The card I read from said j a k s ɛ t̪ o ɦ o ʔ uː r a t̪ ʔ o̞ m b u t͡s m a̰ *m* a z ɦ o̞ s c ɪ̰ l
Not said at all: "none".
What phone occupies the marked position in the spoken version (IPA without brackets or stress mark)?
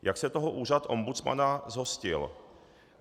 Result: n